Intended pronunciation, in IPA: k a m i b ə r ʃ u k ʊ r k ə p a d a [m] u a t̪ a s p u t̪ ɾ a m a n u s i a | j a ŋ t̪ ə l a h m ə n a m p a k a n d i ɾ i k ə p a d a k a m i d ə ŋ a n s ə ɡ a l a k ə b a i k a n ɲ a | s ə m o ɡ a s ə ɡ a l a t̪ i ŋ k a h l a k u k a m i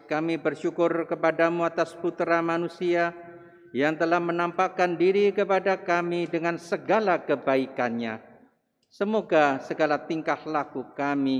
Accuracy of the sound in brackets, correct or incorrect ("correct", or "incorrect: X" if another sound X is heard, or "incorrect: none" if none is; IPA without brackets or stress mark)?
correct